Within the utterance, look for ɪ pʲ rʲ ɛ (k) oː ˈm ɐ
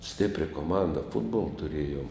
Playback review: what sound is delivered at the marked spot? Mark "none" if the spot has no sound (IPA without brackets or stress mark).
k